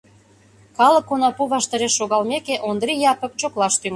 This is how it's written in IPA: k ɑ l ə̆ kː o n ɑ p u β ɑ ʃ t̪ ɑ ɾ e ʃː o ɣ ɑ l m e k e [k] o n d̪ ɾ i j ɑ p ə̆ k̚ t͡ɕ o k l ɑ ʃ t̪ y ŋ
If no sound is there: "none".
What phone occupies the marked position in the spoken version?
ʔ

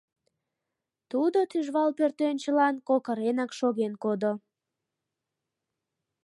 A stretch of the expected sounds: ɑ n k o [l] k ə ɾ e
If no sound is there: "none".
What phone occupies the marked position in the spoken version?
none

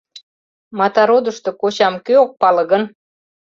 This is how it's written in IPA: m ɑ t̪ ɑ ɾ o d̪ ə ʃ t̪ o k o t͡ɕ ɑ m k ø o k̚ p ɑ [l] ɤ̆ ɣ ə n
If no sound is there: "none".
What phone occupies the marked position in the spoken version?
l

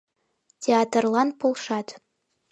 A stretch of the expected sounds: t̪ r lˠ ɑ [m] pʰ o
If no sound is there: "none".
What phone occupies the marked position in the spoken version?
n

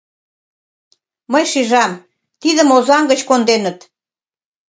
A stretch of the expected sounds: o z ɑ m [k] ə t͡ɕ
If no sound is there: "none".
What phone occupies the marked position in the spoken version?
ɡ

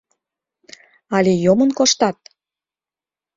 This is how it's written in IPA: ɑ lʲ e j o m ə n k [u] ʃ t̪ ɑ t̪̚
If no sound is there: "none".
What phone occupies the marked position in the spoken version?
o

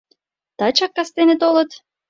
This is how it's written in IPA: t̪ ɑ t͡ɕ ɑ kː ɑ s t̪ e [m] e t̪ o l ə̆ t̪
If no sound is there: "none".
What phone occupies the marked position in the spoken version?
n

